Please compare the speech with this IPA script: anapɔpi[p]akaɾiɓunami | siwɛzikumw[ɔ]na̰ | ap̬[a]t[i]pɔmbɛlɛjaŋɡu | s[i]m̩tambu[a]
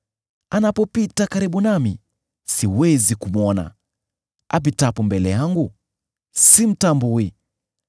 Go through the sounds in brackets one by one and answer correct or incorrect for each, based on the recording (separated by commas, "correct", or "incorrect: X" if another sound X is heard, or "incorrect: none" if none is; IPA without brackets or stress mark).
incorrect: t, correct, incorrect: i, incorrect: a, correct, incorrect: i